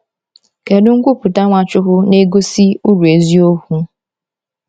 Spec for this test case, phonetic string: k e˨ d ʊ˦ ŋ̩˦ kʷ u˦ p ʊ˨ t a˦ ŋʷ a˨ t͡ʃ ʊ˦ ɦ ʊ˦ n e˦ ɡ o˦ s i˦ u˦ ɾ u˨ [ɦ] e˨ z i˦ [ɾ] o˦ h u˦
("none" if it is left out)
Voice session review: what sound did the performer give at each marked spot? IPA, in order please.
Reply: none, none

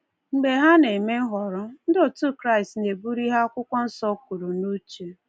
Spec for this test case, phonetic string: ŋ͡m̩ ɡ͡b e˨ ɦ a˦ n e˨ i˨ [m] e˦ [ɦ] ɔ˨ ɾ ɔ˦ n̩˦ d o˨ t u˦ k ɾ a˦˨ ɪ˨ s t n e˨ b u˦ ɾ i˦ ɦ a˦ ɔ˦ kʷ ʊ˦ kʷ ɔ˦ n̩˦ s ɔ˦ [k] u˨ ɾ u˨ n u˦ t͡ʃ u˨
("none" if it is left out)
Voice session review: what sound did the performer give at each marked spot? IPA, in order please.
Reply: m, ɦ, k

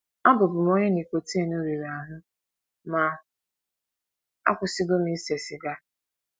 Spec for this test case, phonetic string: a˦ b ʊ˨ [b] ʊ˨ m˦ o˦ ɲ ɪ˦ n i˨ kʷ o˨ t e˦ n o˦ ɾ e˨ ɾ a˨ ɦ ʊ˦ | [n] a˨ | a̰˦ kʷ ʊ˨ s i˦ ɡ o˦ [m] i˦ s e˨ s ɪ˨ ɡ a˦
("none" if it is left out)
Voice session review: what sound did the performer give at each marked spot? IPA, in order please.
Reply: b, m, m

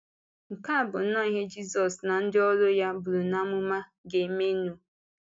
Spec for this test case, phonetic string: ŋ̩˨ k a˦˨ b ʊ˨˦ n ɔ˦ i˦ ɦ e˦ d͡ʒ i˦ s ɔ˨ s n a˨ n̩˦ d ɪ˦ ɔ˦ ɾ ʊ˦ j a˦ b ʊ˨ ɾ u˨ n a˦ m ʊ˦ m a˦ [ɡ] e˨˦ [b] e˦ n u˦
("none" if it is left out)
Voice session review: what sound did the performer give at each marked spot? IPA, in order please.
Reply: ɡ, m

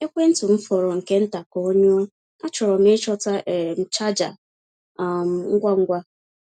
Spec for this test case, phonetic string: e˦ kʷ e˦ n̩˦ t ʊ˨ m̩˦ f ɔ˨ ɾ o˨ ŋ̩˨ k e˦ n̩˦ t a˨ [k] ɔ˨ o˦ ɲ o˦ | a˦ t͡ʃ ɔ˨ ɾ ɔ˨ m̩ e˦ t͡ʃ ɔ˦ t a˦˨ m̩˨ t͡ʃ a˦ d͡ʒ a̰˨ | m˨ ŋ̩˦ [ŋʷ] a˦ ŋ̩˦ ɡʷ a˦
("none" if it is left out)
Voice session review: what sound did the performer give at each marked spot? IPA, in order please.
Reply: k, ɡʷ

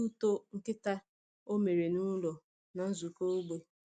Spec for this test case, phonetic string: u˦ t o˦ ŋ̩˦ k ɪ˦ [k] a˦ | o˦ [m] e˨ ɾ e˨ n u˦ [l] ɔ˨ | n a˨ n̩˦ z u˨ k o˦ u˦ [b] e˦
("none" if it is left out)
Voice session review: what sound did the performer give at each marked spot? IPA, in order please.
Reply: t, m, l, ɡ͡b

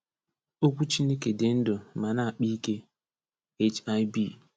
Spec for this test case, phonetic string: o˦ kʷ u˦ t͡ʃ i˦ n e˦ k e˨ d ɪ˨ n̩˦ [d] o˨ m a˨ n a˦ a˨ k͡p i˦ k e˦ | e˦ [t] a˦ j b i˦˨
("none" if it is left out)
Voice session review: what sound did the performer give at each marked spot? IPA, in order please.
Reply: d, t͡ʃ

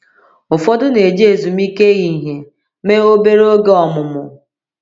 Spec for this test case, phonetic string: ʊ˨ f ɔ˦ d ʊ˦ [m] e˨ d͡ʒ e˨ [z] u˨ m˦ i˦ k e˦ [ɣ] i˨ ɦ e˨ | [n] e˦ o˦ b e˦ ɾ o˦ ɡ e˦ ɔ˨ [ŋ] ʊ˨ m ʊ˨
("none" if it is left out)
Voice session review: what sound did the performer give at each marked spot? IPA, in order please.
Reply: n, z, ɣ, m, m

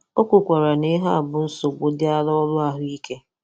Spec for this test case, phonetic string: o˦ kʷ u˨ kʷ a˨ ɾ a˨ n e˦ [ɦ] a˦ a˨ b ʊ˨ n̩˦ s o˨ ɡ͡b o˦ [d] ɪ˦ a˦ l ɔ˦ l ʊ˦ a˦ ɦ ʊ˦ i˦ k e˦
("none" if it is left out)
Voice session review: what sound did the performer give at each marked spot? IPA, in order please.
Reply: ɦ, d

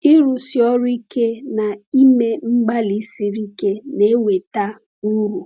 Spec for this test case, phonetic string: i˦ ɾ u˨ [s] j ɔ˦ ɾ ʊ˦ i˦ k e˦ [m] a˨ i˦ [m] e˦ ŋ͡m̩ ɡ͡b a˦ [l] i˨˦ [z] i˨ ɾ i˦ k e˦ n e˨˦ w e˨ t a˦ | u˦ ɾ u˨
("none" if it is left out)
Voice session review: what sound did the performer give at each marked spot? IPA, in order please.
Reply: s, n, m, l, s

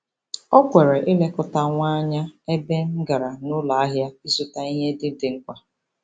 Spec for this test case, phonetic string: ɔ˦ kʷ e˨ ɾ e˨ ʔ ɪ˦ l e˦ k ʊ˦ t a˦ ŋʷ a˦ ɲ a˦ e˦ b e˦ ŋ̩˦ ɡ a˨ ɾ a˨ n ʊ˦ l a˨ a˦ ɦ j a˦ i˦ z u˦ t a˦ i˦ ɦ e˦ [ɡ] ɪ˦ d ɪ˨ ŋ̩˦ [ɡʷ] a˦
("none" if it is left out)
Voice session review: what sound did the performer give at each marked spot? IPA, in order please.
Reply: d, kʷ

